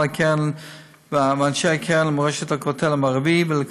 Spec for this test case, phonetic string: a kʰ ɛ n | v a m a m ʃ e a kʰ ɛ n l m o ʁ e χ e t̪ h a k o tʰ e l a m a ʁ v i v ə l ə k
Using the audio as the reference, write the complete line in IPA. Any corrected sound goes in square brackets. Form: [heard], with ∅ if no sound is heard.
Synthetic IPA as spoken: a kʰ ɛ n | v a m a [n] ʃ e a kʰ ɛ n l m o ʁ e [ʃ] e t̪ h a k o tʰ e l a m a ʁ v i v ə l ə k